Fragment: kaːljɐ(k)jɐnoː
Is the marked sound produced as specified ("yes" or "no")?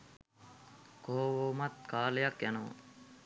yes